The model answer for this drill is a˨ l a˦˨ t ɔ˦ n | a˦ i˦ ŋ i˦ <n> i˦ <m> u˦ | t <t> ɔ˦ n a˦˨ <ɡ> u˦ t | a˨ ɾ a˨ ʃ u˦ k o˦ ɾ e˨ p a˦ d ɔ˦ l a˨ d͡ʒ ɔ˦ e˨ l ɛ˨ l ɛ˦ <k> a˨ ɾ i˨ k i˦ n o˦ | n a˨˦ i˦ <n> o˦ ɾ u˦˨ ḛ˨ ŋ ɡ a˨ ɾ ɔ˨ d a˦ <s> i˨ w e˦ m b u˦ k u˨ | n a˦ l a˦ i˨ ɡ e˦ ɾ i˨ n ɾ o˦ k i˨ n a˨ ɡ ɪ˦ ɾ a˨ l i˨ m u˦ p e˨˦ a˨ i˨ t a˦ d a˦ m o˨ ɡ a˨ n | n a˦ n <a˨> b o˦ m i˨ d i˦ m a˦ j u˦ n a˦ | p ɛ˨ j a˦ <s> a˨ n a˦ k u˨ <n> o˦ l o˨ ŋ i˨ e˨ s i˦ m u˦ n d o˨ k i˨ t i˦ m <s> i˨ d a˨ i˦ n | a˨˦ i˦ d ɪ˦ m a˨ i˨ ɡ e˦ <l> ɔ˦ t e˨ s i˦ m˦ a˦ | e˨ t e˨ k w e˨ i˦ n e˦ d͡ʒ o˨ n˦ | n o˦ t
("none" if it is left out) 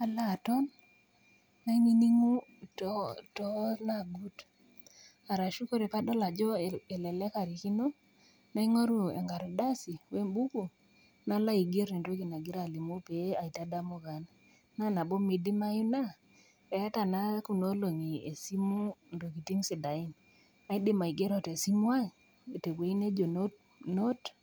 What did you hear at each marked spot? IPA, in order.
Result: n, ŋ, t, ɡ, k, ŋ, s, a˨, t, n, s, ɾ

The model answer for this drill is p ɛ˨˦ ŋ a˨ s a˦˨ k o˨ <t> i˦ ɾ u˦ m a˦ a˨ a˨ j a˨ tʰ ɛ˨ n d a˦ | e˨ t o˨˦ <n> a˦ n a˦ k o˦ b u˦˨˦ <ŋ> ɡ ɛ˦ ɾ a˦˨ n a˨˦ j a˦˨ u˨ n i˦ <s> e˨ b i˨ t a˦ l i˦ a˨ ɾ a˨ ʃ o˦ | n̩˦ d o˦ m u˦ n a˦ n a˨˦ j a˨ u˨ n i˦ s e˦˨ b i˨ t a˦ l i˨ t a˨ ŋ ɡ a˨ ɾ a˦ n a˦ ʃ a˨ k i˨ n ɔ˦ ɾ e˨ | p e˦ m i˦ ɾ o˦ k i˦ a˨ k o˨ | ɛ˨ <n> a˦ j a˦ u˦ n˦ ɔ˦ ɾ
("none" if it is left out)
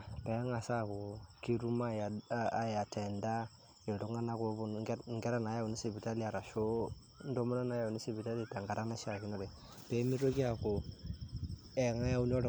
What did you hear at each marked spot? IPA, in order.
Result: k, ŋ, ŋ, s, ŋ

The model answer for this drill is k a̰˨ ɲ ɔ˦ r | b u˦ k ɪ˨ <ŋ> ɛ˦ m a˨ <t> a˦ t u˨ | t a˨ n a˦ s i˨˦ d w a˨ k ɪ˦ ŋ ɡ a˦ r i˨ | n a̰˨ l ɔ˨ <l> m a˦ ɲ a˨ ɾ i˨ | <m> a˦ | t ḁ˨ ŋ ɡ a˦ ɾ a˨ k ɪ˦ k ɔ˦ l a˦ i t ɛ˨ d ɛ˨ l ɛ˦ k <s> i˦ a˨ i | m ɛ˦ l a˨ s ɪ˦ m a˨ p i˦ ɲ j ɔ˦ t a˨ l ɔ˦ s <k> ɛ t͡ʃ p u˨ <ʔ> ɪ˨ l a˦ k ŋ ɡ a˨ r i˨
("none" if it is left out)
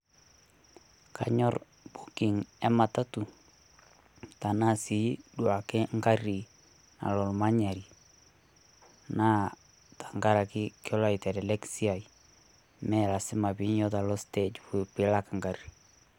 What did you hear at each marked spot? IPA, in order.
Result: ŋ, t, l, n, s, t, p

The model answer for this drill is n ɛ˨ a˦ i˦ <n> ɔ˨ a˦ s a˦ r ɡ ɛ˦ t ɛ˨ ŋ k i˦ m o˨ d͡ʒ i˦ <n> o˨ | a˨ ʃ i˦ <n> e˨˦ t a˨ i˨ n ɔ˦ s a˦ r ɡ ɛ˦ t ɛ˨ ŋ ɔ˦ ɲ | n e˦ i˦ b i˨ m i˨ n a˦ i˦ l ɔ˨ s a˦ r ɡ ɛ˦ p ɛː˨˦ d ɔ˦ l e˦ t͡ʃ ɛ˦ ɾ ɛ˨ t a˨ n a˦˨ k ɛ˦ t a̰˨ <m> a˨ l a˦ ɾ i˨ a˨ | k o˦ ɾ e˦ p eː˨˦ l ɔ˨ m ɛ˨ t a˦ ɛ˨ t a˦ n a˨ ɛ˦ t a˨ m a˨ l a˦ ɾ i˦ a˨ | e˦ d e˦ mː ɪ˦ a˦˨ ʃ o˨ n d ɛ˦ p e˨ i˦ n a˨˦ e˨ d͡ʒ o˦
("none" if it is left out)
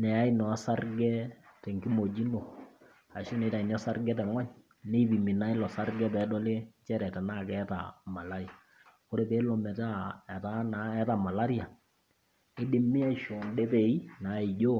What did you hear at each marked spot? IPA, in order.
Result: n, n, n, m

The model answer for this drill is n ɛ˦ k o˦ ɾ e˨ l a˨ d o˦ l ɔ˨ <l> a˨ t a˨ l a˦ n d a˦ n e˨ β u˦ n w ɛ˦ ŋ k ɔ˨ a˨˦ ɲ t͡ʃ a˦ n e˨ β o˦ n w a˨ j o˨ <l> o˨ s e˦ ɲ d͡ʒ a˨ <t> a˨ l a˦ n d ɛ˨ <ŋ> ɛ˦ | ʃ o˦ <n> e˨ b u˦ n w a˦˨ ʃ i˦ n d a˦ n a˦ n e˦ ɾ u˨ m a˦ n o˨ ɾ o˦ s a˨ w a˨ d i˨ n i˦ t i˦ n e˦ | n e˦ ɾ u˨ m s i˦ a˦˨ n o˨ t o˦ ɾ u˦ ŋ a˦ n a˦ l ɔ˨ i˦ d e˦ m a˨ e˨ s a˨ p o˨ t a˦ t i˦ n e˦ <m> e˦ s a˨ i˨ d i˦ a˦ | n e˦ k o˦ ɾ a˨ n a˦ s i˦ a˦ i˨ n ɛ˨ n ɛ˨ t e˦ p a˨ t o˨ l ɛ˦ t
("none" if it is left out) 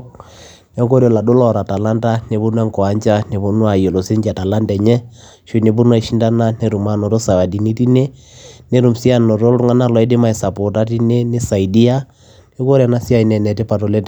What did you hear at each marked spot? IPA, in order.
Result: ɾ, l, t, ɲ, n, n

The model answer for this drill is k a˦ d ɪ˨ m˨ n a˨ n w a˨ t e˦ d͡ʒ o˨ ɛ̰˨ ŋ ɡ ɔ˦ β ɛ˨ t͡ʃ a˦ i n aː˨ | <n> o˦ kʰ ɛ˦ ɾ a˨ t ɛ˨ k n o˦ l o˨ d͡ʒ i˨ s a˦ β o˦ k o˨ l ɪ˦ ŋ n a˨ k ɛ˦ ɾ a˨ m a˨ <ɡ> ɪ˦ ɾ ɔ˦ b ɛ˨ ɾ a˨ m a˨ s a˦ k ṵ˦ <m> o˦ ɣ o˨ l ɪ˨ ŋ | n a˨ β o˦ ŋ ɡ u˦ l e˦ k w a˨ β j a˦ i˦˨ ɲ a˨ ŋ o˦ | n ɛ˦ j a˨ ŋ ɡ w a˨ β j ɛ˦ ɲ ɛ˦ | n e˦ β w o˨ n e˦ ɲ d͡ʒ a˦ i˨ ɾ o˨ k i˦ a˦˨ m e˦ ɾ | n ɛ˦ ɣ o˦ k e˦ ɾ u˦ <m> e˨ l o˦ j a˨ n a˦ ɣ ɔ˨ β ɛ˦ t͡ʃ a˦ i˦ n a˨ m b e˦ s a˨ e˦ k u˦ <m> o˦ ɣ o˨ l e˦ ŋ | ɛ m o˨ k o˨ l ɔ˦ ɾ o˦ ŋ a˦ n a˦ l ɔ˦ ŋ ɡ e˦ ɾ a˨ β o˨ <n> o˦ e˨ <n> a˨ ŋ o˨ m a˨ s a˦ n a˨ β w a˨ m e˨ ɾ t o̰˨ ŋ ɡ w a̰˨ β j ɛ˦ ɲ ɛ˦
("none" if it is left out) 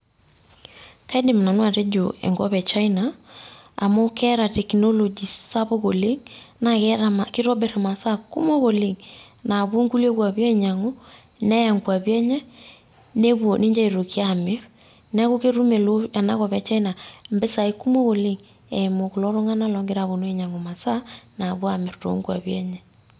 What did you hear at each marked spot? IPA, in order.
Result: m, k, m, m, m, n, ɲ

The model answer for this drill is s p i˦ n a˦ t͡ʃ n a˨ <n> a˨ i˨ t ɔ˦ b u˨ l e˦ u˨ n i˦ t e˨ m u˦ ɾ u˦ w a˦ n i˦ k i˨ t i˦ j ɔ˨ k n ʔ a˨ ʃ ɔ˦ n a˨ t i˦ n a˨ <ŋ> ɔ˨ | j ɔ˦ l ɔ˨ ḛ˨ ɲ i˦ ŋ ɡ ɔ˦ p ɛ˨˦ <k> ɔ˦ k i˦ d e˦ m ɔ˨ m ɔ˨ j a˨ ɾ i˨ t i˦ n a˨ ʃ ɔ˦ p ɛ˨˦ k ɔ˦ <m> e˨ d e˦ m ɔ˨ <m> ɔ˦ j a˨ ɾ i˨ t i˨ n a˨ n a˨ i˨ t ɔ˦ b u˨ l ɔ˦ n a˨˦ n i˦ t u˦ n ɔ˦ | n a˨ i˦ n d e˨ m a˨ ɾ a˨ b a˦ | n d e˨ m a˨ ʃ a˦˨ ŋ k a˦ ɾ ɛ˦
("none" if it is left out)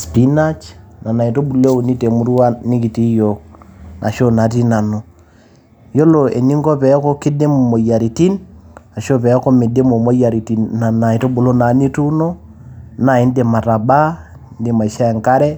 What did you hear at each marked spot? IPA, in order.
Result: n, n, k, m, m

